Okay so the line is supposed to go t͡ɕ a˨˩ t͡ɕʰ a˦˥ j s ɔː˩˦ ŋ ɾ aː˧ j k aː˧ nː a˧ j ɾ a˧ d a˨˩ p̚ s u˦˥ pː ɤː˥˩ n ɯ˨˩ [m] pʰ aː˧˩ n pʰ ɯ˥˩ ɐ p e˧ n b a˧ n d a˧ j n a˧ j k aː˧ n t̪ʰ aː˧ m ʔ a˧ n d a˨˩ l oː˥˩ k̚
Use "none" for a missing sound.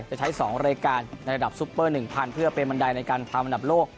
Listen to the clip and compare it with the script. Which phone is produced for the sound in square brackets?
ŋ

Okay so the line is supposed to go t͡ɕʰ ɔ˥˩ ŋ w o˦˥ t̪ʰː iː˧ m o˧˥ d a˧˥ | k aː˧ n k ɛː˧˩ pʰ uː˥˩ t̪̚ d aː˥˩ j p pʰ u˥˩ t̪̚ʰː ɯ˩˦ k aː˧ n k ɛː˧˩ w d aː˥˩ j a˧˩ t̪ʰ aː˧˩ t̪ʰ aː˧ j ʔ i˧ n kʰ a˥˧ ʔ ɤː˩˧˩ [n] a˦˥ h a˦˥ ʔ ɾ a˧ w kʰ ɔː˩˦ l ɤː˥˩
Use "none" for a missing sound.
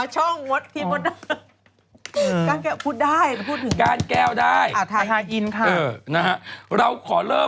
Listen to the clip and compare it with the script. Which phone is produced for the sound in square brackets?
n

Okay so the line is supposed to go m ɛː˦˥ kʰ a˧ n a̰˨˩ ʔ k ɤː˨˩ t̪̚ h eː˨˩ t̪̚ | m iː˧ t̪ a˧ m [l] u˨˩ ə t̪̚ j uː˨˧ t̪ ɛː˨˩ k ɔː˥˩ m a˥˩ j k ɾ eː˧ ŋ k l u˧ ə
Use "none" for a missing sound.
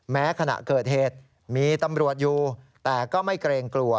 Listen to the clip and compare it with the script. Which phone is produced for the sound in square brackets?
ɾ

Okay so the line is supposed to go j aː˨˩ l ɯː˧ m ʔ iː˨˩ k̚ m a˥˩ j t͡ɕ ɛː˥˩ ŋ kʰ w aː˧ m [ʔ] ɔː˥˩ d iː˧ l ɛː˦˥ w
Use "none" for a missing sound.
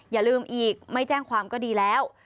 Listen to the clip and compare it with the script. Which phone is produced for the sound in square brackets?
k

